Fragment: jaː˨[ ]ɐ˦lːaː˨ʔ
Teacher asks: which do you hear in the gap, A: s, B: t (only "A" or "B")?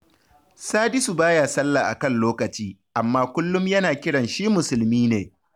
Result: A